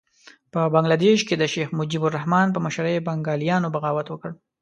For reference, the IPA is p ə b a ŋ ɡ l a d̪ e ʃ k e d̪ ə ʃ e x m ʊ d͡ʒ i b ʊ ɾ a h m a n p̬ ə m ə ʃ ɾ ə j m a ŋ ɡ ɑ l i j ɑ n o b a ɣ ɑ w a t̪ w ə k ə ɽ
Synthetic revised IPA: p ə b a ŋ ɡ l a d̪ e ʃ k e d̪ ə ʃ e x m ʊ d͡ʒ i b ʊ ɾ a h m ɑ n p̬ ə m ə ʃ ɾ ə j b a ŋ ɡ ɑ l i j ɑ n o b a ɣ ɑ w a t̪ w ə k ə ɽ